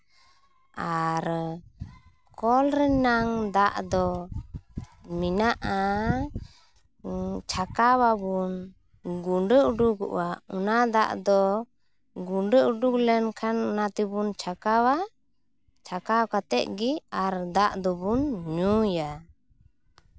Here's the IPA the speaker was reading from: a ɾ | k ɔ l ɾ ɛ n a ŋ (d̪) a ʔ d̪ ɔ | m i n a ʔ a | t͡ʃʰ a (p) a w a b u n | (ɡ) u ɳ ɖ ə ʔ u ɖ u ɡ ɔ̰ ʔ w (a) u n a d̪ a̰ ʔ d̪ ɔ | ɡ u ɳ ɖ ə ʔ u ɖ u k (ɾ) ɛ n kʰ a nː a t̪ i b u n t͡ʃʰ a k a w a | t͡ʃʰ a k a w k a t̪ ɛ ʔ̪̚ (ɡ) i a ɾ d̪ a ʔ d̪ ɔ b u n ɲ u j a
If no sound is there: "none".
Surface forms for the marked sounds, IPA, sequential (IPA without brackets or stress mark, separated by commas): d̪, k, ɡ, a, l, ɡ